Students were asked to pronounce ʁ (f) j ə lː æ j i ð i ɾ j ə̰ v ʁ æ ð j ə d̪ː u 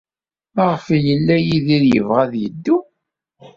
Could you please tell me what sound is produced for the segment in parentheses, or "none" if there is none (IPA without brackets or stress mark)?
f